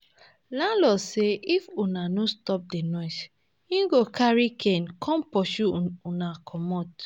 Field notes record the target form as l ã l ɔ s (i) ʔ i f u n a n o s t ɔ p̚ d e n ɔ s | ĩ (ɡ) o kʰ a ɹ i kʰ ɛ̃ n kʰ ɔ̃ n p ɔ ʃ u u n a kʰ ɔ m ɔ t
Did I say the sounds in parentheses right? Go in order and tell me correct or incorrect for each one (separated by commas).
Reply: incorrect, correct